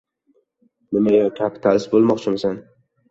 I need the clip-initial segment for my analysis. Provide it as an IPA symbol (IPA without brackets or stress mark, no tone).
n